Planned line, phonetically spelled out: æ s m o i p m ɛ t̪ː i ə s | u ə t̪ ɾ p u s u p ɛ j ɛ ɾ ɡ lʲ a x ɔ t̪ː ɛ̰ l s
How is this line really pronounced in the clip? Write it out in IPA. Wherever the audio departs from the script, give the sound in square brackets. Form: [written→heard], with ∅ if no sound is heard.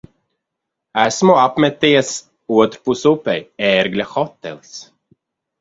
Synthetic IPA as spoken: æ s m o [i→a] p m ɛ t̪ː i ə s | u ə t̪ ɾ p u s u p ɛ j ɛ ɾ ɡ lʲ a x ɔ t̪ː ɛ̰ l s